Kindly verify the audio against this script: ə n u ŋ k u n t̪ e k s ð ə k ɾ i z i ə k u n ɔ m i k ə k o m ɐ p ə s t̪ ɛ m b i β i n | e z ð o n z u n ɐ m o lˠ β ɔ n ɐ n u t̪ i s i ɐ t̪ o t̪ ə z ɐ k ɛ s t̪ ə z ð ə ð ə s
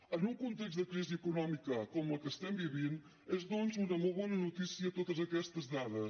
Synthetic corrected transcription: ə n u ŋ k u n t̪ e k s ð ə k ɾ i z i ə k u n ɔ m i k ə k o m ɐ k ə s t̪ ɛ m b i β i n | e z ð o n z u n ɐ m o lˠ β ɔ n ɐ n u t̪ i s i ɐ t̪ o t̪ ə z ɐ k ɛ s t̪ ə z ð a ð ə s

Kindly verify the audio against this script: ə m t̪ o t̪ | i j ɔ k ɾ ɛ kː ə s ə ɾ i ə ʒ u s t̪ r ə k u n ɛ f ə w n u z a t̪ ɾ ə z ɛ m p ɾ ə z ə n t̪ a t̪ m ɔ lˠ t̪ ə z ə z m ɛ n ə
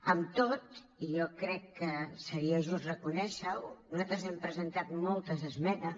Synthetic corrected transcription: ə m t̪ o t̪ | i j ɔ k ɾ ɛ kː ə s ə ɾ i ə ʒ u s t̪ r ə k u n ɛ ʃ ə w n u z a t̪ ɾ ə z ɛ m p ɾ ə z ə n t̪ a t̪ m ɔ lˠ t̪ ə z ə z m ɛ n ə

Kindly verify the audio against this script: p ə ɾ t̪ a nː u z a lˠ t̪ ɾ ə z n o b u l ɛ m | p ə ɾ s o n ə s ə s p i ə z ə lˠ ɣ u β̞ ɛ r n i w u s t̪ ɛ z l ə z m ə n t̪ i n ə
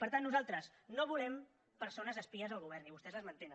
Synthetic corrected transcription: p ə ɾ t̪ a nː u z a lˠ t̪ ɾ ə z n o β u l ɛ m | p ə ɾ s o n ə z ə s p i ə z ə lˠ ɣ u β̞ ɛ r n i β u s t̪ ɛ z l ə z m ə n t̪ e n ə

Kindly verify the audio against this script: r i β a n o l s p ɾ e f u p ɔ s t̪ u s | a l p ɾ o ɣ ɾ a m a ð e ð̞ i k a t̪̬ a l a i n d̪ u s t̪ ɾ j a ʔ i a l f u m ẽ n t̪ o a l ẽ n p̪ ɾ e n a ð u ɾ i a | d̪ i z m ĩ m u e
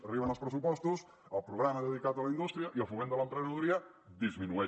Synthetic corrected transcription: r i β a n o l s p ɾ e s u p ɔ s t̪ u s | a l p ɾ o ɣ ɾ a m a ð e ð̞ i k a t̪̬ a l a i n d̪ u s t̪ ɾ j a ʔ i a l f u m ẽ n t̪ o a l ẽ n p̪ ɾ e n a ð u ɾ i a | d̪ i z m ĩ n u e

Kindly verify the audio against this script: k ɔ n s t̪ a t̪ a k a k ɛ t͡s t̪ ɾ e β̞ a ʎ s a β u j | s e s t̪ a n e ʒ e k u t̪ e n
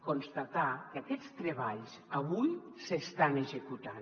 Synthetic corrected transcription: k o n s t̪ a t̪ a k a k ɛ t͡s t̪ ɾ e β̞ a ʎ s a β u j | s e s t̪ a n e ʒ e k u t̪ a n

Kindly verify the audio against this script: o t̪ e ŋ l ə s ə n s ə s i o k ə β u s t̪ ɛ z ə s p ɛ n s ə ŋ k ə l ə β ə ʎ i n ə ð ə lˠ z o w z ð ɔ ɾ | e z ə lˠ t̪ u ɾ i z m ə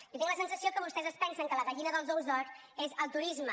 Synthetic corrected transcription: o t̪ i ŋ l ə s ə n s ə s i o k ə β u s t̪ ɛ z ə s p ɛ n s ə ŋ k ə l ə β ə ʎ i n ə ð ə lˠ z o w z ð ɔ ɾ | e z ə lˠ t̪ u ɾ i z m ə

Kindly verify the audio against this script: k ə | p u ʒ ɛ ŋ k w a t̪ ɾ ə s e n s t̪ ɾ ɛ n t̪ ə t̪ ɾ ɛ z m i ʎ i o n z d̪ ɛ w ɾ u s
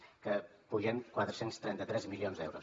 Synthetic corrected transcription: k ə | p u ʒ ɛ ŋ k w a t̪ ɾ ə s e n s t̪ ɾ ɛ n t̪ ə t̪ ɾ ɛ z m i l i o n z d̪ ɛ w ɾ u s

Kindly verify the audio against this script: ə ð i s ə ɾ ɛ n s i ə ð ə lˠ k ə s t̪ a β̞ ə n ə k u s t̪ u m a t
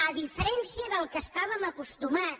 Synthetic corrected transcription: ə ð i f ə ɾ ɛ n s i ə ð ə lˠ k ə s t̪ a β̞ ə m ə k u s t̪ u m a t

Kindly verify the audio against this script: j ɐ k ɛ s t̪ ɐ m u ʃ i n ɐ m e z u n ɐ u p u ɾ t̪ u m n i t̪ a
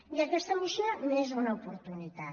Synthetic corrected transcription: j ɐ k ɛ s t̪ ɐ m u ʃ i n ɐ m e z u n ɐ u p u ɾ t̪ u n i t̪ a

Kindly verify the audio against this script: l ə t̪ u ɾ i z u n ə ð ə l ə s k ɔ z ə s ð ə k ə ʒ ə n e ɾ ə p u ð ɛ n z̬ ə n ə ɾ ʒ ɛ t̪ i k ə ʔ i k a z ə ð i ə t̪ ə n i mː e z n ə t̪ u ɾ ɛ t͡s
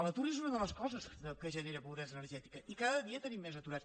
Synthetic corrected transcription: l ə t̪ u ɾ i z u n ə ð ə l ə s k ɔ z ə s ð ə k ə ʒ ə n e ɾ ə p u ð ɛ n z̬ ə n ə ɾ ʒ ɛ t̪ i k ə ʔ i k a ð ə ð i ə t̪ ə n i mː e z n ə t̪ u ɾ a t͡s

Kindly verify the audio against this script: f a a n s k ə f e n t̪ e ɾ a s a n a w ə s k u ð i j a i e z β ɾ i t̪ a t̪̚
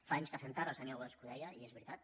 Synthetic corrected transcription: f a a ɲ s k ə f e n t̪ a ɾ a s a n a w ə s k u ð ɛ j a i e z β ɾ i t̪ a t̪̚

